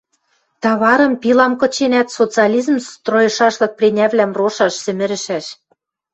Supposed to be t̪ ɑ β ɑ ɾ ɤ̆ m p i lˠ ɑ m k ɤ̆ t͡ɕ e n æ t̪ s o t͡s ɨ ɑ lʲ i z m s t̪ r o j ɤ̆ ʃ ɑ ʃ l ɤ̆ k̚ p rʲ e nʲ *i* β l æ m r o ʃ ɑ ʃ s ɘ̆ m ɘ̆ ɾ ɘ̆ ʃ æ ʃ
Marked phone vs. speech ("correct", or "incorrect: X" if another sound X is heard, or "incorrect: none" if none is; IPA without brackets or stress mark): incorrect: æ